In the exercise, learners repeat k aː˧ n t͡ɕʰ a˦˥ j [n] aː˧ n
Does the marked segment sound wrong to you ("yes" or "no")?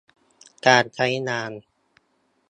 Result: no